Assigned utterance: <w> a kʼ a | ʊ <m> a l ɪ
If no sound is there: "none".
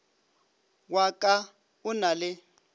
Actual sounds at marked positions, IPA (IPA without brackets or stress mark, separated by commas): w, n